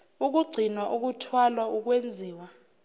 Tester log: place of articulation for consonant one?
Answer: velar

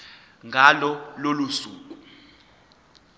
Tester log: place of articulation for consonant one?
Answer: velar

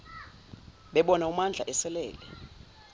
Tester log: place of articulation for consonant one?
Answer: labial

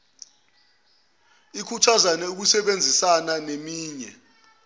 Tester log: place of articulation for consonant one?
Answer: velar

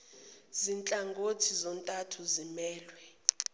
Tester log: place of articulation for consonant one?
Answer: alveolar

